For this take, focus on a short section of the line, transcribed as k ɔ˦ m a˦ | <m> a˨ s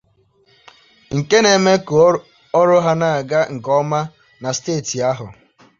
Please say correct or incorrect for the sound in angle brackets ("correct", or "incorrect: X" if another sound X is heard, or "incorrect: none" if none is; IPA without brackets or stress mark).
incorrect: n